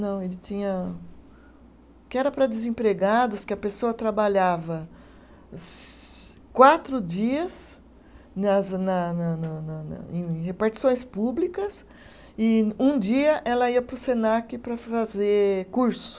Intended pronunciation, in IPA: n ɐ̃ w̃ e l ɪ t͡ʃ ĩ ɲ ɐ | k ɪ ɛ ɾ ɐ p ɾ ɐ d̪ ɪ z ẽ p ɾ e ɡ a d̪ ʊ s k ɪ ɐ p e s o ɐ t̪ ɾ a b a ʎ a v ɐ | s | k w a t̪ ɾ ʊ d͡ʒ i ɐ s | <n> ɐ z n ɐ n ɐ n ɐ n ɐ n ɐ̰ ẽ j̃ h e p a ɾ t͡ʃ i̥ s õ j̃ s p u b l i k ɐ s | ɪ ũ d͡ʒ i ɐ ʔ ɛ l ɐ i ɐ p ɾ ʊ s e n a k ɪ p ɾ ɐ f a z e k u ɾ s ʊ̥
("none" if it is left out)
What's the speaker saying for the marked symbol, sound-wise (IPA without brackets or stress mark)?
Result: n